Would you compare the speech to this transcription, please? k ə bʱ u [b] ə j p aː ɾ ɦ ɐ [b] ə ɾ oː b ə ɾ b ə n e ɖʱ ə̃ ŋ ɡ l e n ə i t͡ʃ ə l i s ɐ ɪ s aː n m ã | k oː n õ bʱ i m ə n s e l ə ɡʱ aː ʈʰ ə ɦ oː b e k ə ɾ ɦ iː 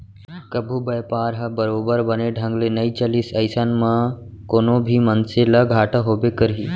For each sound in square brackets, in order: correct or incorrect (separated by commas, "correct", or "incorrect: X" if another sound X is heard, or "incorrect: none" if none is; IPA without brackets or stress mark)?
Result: correct, correct